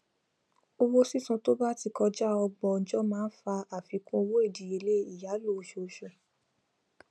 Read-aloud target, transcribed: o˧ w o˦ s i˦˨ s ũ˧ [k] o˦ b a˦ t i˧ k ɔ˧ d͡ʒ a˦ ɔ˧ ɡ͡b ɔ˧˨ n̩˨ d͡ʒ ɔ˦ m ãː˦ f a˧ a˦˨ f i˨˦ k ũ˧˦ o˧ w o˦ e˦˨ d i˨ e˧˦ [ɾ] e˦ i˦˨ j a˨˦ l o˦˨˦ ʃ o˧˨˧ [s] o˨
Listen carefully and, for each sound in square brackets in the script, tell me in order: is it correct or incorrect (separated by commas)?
incorrect, incorrect, incorrect